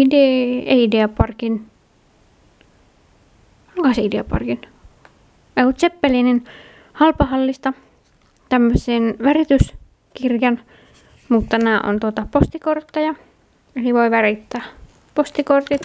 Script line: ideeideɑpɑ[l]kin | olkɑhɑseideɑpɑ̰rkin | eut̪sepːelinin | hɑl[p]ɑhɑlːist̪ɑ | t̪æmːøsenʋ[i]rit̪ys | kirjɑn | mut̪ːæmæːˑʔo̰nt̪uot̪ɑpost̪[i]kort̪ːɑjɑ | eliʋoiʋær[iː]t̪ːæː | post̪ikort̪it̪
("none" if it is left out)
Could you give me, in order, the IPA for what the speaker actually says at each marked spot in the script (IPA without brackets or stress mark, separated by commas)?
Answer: r, p, æ, i, i